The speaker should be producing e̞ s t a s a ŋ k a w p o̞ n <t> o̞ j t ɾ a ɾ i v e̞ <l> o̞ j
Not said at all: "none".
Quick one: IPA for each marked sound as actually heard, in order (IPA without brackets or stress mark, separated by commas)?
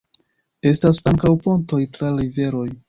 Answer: t, ɾ